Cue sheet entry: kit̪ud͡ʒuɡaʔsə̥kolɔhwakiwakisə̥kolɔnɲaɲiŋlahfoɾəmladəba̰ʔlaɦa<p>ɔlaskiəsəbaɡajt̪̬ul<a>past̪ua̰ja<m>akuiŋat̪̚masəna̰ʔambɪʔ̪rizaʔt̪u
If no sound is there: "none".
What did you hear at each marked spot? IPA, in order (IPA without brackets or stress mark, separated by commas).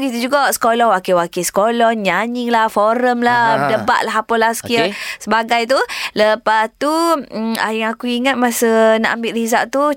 p, ə, ŋ